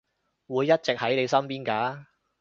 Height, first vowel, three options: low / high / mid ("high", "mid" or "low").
high